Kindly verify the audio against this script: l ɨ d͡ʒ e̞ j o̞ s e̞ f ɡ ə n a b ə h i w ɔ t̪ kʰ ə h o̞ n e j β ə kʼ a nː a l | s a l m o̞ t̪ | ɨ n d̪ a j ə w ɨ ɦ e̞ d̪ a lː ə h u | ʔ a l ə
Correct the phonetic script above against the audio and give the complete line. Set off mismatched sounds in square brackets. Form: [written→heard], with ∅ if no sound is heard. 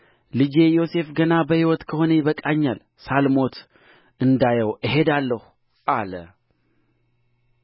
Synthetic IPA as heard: l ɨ d͡ʒ e̞ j o̞ s e̞ f ɡ ə n a b ə h i w ɔ t̪ kʰ ə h o̞ n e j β ə kʼ a [nː→ɲː] a l | s a l m o̞ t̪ | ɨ n d̪ a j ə w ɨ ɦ e̞ d̪ a lː ə h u | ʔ a l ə